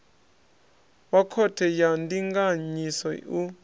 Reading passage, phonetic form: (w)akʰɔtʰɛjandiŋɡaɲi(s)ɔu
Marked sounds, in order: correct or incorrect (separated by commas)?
correct, correct